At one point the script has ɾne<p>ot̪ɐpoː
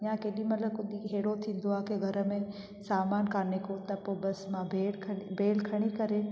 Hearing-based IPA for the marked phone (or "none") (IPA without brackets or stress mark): k